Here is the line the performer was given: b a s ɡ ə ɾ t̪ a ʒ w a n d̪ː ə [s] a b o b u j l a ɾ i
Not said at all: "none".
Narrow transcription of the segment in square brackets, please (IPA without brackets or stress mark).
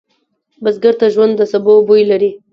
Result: s